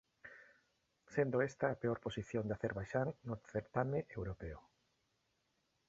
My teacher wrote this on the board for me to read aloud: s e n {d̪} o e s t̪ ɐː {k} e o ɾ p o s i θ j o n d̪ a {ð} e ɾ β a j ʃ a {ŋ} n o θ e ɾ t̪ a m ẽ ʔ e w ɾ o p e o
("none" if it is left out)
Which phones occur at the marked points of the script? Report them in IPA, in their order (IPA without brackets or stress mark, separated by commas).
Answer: d̪, p, θ, ŋ